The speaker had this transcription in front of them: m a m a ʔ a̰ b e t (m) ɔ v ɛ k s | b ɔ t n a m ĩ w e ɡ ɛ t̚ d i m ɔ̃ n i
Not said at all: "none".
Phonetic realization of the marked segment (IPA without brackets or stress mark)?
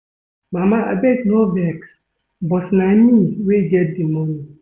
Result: n